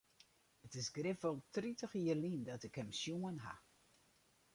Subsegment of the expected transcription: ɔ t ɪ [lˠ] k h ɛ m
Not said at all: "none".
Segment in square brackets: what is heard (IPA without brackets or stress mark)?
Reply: none